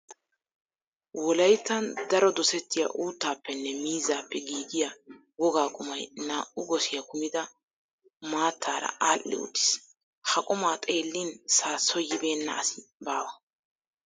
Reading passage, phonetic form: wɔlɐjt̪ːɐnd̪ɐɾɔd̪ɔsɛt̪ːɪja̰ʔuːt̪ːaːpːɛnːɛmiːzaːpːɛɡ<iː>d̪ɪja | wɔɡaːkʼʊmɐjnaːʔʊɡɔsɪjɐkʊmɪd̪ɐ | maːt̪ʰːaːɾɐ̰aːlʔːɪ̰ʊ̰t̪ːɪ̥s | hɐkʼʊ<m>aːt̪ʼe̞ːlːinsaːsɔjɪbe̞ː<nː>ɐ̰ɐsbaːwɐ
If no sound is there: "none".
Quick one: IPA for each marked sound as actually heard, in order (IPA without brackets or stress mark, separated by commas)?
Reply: iː, m, nː